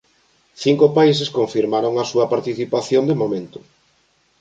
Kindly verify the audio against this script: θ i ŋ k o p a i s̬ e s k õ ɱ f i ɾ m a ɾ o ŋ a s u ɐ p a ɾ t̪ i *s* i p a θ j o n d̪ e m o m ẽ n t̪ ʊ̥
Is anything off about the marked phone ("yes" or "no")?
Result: yes